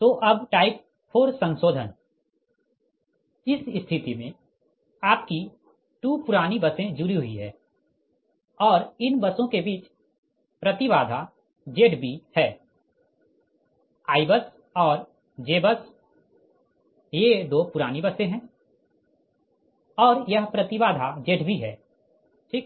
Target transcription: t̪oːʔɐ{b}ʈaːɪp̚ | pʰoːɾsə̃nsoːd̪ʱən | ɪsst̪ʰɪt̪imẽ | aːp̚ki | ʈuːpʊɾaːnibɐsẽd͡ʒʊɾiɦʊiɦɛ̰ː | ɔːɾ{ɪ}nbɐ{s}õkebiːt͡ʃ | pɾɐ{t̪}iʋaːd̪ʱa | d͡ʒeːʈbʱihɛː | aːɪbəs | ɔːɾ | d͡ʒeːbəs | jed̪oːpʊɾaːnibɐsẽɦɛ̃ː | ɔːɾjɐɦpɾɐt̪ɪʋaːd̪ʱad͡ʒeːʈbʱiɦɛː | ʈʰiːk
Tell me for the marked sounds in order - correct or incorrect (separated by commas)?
correct, correct, correct, correct